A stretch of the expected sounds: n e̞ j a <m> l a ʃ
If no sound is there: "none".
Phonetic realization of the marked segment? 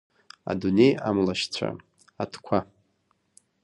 m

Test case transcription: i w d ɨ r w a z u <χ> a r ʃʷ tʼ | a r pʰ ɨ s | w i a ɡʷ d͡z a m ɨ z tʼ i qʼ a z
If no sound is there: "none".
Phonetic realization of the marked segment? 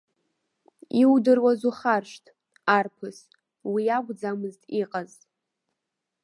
χ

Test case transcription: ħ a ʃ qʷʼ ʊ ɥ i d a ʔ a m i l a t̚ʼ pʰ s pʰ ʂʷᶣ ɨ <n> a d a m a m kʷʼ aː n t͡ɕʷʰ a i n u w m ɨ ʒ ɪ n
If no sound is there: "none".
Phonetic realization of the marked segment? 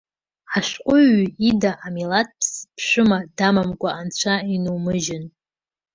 m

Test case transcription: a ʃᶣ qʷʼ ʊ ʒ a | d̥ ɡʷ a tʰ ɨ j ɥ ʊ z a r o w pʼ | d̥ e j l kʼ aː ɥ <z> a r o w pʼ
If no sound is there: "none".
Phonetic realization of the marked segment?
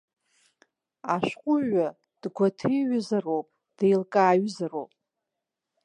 z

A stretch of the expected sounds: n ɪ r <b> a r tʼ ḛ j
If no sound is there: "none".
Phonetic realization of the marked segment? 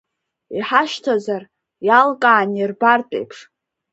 b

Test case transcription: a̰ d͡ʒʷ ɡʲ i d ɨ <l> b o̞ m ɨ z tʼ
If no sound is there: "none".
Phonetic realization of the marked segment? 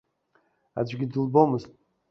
l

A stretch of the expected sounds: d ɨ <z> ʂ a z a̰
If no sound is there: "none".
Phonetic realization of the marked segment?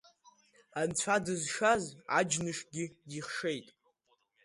z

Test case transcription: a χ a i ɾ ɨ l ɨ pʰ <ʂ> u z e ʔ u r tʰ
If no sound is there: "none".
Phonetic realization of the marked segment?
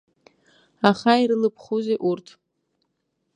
χ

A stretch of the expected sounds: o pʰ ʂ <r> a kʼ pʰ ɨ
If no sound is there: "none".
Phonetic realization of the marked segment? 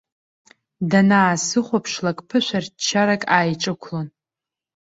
l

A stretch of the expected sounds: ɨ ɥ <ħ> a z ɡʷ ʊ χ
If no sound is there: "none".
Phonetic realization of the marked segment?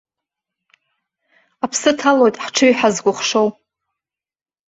ħ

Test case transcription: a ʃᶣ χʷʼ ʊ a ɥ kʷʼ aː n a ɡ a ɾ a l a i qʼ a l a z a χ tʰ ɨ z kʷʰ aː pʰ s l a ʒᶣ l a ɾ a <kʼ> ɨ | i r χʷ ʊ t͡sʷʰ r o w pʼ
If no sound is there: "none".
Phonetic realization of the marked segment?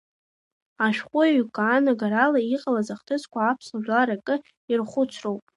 kʼ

